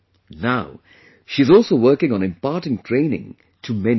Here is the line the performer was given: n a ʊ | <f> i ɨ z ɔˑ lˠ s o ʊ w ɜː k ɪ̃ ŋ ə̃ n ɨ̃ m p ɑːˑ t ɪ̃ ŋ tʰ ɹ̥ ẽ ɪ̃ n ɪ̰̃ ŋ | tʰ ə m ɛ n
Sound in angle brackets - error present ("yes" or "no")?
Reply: yes